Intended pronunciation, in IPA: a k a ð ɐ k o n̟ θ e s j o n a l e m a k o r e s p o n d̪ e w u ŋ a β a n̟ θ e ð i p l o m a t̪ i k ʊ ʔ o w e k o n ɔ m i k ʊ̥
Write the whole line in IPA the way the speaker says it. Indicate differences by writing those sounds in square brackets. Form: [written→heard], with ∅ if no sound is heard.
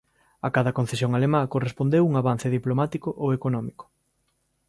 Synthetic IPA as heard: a k a ð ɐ k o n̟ θ e s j o [n→ŋ] a l e m a k o r e s p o n d̪ e w u ŋ a β a n̟ θ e ð i p l o m a t̪ i k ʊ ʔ o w e k o n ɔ m i k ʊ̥